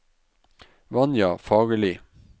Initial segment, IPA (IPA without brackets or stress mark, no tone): ʋ